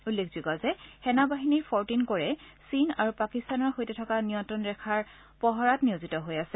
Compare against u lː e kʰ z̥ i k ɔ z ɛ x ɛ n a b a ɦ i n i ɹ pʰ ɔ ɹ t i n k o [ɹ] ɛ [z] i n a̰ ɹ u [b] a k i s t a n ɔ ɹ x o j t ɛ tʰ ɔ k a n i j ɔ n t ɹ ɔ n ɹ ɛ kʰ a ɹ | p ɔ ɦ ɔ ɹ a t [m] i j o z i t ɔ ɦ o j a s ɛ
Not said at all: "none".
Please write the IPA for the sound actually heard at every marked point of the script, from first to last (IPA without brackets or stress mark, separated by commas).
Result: ɹ, s, p, n